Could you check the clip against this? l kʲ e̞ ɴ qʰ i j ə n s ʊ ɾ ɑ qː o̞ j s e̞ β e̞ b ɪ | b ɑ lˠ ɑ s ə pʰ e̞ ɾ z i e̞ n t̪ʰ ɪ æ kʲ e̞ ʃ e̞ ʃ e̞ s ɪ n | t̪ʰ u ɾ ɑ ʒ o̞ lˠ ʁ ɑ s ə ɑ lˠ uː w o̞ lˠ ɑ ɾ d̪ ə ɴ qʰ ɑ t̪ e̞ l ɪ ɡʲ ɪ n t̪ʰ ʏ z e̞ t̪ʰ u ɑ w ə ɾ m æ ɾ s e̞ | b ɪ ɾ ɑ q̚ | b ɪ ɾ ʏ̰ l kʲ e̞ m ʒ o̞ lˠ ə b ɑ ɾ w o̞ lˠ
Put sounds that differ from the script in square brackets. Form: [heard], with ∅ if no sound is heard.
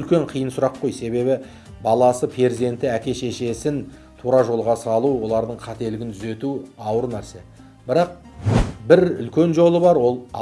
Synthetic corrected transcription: l kʲ e̞ ɴ qʰ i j ə n s ʊ ɾ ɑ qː o̞ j s e̞ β e̞ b ɪ | b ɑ lˠ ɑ s ə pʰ e̞ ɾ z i e̞ n [t̪] ɪ æ kʲ e̞ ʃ e̞ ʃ e̞ s ɪ n | t̪ʰ u ɾ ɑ ʒ o̞ lˠ ʁ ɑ s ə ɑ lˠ [u] w o̞ lˠ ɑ ɾ d̪ ə ɴ qʰ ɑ t̪ e̞ l ɪ ɡʲ ɪ n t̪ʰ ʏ z e̞ [t̪] u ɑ w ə ɾ [n] æ ɾ s e̞ | b ɪ ɾ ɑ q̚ | b ɪ ɾ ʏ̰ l kʲ e̞ [n] ʒ o̞ lˠ ə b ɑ ɾ w o̞ lˠ